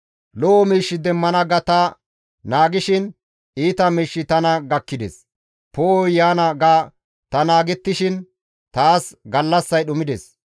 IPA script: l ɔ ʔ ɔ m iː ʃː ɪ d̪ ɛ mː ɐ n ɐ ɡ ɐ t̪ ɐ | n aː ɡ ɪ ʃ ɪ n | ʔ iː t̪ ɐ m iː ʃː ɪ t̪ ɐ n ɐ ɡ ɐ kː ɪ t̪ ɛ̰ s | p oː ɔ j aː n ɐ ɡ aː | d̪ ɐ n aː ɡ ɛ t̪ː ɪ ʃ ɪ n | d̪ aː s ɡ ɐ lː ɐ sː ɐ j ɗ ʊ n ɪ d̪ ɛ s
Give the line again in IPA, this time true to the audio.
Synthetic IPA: l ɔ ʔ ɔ m iː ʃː ɪ d̪ ɛ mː ɐ n ɐ ɡ ɐ t̪ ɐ | n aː ɡ ɪ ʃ ɪ n | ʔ iː t̪ ɐ m iː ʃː ɪ t̪ ɐ n ɐ ɡ ɐ kː ɪ d̪ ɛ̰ s | p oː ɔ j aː n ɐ ɡ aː | t̪ ɐ n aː ɡ ɛ t̪ː ɪ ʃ ɪ n | t̪ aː s ɡ ɐ lː ɐ sː ɐ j ɗ ʊ m ɪ d̪ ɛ s

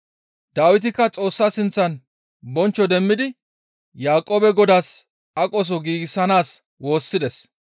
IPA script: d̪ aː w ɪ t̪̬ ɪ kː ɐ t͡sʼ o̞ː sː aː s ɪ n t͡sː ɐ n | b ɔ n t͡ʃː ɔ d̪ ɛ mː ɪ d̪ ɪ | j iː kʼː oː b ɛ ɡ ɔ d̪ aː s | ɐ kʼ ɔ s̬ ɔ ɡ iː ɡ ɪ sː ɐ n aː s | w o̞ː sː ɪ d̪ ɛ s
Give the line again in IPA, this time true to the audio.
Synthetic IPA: d̪ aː w ɪ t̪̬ ɪ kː ɐ t͡sʼ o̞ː sː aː s ɪ n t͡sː ɐ n | b ɔ n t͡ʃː ɔ d̪ ɛ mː ɪ d̪ ɪ | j aː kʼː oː b ɛ ɡ ɔ d̪ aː s | ɐ kʼ ɔ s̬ ɔ ɡ iː ɡ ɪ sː ɐ n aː s | w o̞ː sː ɪ d̪ ɛ s

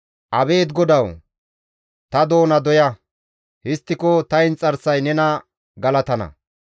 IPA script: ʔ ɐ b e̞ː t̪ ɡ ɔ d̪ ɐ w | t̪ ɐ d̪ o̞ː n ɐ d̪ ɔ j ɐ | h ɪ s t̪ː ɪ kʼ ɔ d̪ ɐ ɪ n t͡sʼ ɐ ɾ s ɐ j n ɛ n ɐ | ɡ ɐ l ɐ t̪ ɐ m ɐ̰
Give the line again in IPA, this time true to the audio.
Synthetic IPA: ʔ ɐ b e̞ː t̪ ɡ ɔ d̪ ɐ w | t̪ ɐ d̪ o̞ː n ɐ d̪ ɔ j ɐ | h ɪ s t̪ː ɪ k ɔ t̪ ɐ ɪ n t͡sʼ ɐ ɾ s ɐ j n ɛ n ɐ | ɡ ɐ l ɐ t̪ ɐ n ɐ̰

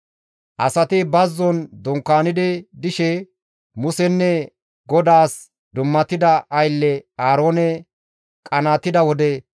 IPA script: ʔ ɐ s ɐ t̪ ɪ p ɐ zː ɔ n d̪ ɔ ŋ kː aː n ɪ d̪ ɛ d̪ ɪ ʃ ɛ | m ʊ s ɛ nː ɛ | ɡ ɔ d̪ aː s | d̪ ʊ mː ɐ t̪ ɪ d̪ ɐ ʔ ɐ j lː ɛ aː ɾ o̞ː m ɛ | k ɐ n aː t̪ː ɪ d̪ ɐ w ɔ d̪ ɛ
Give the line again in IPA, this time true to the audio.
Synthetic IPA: ʔ ɐ s ɐ t̪ ɪ b ɐ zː ɔ n d̪ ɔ ŋ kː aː n ɪ d̪ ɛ d̪ ɪ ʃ ɛ | m ʊ s ɛ nː ɛ | ɡ ɔ d̪ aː s | d̪ ʊ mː ɐ t̪ ɪ d̪ ɐ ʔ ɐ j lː ɛ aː ɾ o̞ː n ɛ | kʼ ɐ n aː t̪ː ɪ d̪ ɐ w ɔ d̪ ɛ

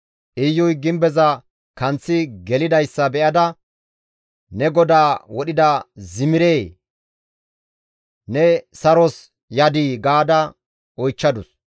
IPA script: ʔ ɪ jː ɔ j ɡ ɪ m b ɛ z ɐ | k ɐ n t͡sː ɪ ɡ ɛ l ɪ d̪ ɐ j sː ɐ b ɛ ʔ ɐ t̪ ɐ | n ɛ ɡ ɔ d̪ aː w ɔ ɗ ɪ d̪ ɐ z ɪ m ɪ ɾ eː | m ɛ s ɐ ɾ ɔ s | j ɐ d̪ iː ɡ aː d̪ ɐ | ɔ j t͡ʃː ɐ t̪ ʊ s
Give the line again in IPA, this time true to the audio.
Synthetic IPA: ʔ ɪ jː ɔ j ɡ ɪ m b ɛ z ɐ | k ɐ n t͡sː ɪ ɡ ɛ l ɪ d̪ ɐ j sː ɐ b ɛ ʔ ɐ d̪ ɐ | n ɛ ɡ ɔ d̪ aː w ɔ ɗ ɪ d̪ ɐ z ɪ m ɪ ɾ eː | n ɛ s ɐ ɾ ɔ s | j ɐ d̪ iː ɡ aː d̪ ɐ | ɔ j t͡ʃː ɐ d̪ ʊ s

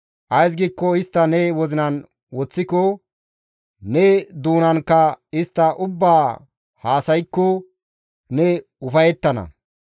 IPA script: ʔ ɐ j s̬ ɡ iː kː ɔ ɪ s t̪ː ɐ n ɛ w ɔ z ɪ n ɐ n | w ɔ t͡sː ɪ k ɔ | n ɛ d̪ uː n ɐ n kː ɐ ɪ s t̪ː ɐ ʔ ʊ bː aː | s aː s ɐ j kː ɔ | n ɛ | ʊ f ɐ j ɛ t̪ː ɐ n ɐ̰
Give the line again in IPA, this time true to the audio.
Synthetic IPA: ʔ ɐ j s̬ ɡ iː kː ɔ ɪ s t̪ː ɐ n ɛ w ɔ z ɪ n ɐ n | w ɔ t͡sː ɪ k ɔ | n ɛ d̪ uː n ɐ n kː ɐ ɪ s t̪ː ɐ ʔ ʊ bː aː | h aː s ɐ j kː ɔ | n ɛ | ʊ f ɐ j ɛ t̪ː ɐ n ɐ̰

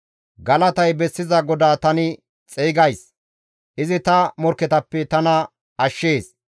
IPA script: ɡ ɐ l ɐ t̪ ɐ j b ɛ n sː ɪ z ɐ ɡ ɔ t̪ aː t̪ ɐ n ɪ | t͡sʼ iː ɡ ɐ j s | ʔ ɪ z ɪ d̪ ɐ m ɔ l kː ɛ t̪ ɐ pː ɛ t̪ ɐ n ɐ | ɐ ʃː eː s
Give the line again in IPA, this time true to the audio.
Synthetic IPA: ɡ ɐ l ɐ t̪ ɐ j b ɛ sː ɪ z ɐ ɡ ɔ d̪ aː t̪ ɐ n ɪ | t͡sʼ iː ɡ ɐ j s | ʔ ɪ z ɪ t̪ ɐ m ɔ ɾ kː ɛ t̪ ɐ pː ɛ t̪ ɐ n ɐ | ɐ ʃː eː s

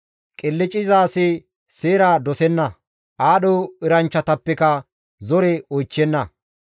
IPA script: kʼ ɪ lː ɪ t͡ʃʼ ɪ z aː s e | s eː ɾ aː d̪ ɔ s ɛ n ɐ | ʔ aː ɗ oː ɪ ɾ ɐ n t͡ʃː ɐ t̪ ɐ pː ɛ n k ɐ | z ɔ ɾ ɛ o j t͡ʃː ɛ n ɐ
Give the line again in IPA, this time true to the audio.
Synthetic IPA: kʼ ɪ lː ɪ t͡ʃʼ ɪ z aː s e | s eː ɾ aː d̪ ɔ s ɛ nː ɐ | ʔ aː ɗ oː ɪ ɾ ɐ n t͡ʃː ɐ t̪ ɐ pː ɛ k ɐ | z ɔ ɾ ɛ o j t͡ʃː ɛ nː ɐ

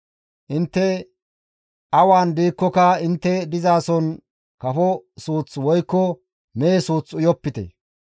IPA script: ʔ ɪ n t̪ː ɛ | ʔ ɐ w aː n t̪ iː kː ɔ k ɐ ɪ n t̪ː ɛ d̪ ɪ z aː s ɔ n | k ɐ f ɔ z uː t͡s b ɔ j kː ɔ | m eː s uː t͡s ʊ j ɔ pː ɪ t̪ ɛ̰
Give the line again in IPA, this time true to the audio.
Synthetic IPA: ʔ ɪ n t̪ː ɛ | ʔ ɐ w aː n d̪ iː kː ɔ k ɐ ɪ n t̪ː ɛ d̪ ɪ z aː s ɔ n | k ɐ f ɔ s uː t͡s w ɔ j kː ɔ | m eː s uː t͡s ʊ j ɔ pː ɪ t̪ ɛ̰

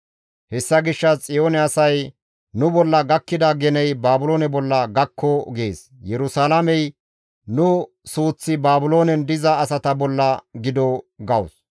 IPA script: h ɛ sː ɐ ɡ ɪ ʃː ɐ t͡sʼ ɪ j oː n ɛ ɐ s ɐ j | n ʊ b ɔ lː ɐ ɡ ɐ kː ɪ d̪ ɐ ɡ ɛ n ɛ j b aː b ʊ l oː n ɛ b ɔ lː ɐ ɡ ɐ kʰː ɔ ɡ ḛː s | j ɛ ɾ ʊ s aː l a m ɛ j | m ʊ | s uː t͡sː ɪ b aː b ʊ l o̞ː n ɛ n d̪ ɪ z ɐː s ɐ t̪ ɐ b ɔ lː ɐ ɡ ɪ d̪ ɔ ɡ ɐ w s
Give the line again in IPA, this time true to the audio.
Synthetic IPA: h ɛ sː ɐ ɡ ɪ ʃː ɐ t͡sʼ ɪ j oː n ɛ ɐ s ɐ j | n ʊ b ɔ lː ɐ ɡ ɐ kː ɪ d̪ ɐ ɡ ɛ n ɛ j b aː b ʊ l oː n ɛ b ɔ lː ɐ ɡ ɐ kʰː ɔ ɡ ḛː s | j ɛ ɾ ʊ s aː l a m ɛ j | n ʊ | s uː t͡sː ɪ b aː b ʊ l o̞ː n ɛ n d̪ ɪ z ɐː s ɐ t̪ ɐ b ɔ lː ɐ ɡ ɪ d̪ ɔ ɡ ɐ w s

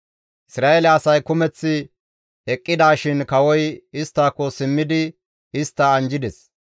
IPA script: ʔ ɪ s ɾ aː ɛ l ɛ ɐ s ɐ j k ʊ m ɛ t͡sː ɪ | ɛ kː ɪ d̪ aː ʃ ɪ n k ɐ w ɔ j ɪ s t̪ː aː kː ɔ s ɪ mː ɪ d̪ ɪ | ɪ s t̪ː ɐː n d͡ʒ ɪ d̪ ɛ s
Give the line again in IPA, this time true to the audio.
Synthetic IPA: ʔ ɪ s ɾ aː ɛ l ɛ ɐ s ɐ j k ʊ m ɛ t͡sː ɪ | ɛ kʼː ɪ d̪ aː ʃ ɪ n k ɐ w ɔ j ɪ s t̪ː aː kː ɔ s ɪ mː ɪ d̪ ɪ | ɪ s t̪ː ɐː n d͡ʒ ɪ d̪ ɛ s

